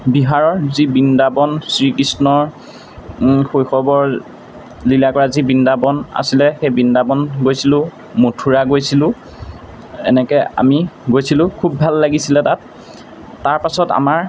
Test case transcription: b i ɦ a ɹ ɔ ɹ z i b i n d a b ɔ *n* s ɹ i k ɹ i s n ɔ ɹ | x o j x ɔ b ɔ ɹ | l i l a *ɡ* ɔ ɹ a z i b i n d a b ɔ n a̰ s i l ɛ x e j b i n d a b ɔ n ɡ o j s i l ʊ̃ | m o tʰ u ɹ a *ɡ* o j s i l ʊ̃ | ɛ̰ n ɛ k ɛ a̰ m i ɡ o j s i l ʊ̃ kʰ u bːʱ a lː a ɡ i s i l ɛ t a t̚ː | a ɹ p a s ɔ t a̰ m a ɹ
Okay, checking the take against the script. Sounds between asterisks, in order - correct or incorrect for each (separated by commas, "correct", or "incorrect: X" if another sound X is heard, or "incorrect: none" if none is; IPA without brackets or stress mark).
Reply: correct, incorrect: k, correct